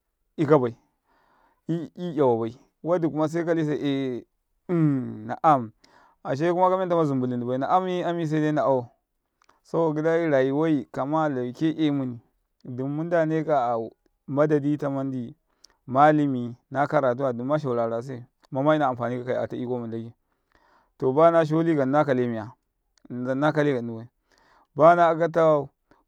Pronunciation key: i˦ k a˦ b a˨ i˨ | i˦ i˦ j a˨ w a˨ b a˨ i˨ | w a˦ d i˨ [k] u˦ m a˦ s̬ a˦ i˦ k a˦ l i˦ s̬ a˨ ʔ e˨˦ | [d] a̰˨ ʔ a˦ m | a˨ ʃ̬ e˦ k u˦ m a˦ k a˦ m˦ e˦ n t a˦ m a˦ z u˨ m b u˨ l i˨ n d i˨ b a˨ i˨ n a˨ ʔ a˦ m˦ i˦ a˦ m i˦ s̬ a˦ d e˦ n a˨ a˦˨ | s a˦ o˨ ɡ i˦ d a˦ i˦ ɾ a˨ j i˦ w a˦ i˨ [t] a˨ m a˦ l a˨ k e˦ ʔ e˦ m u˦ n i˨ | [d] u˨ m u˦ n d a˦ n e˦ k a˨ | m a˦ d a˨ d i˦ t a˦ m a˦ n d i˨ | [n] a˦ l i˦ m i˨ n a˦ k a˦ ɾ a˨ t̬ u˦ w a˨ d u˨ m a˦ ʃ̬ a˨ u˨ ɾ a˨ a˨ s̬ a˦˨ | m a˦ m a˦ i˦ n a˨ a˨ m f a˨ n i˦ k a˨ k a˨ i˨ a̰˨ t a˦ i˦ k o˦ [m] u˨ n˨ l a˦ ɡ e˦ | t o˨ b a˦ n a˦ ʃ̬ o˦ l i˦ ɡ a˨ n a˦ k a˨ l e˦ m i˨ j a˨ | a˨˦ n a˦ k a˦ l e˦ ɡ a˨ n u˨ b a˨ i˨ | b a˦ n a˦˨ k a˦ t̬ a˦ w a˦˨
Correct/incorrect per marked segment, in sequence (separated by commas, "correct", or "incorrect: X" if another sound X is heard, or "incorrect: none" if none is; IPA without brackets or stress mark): correct, incorrect: n, incorrect: k, correct, incorrect: m, correct